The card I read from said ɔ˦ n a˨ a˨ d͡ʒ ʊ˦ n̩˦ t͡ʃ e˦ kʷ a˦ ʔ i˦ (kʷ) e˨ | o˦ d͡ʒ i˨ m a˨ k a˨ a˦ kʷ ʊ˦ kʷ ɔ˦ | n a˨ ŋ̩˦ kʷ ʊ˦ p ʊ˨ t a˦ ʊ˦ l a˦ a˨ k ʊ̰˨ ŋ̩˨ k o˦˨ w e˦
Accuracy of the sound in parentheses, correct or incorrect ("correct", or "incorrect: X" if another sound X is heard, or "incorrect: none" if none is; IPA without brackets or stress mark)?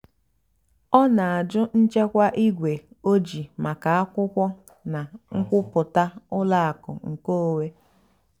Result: incorrect: ɡʷ